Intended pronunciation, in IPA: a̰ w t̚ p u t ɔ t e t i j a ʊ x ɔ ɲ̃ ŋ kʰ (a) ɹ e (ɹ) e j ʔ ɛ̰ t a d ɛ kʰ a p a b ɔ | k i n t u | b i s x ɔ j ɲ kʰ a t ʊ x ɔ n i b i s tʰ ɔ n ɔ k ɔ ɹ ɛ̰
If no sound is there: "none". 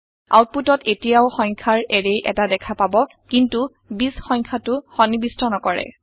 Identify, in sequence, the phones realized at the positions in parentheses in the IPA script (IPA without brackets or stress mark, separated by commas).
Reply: a, ɹ